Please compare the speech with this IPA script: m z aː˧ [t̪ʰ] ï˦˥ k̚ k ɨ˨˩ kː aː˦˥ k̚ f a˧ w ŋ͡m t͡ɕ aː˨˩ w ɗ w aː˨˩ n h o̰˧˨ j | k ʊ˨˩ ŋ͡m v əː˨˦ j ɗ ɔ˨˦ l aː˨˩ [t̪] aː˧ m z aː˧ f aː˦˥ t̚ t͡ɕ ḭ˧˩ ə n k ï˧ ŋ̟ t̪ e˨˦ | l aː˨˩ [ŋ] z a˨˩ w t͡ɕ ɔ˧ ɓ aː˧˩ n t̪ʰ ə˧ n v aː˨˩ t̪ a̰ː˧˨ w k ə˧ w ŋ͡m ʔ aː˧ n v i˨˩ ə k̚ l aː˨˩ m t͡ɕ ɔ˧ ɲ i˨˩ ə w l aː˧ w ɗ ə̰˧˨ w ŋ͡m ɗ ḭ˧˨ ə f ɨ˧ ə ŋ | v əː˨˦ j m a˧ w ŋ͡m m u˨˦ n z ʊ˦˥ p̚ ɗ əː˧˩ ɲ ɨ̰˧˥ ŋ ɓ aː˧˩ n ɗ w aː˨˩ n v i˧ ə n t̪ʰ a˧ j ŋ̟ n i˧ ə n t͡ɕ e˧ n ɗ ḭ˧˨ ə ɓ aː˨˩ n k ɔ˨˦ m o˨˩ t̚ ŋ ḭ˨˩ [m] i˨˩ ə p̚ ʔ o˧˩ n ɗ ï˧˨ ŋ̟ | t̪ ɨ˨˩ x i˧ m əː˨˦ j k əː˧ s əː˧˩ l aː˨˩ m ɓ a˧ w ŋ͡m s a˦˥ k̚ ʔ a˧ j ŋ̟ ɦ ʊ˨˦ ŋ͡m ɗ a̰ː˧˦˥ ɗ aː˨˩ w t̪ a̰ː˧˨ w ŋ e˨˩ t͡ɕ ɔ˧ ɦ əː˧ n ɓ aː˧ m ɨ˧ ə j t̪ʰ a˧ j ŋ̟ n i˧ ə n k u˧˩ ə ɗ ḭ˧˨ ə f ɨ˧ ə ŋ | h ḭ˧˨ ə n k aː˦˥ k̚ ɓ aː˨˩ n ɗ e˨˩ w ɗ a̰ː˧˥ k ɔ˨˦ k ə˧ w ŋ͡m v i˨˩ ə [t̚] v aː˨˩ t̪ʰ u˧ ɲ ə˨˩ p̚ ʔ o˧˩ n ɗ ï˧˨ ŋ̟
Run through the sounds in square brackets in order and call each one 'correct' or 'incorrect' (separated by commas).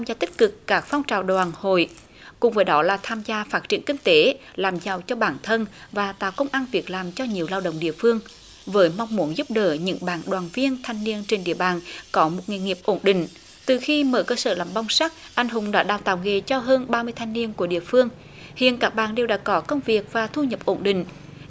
incorrect, incorrect, incorrect, incorrect, incorrect